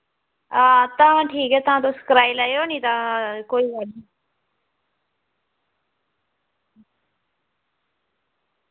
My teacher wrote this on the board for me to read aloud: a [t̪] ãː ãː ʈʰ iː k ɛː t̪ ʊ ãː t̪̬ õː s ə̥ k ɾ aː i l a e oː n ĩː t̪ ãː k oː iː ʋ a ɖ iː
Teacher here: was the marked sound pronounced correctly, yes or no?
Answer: yes